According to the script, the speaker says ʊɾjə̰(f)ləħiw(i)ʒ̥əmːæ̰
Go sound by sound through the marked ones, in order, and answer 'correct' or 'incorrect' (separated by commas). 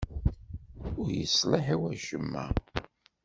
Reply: incorrect, incorrect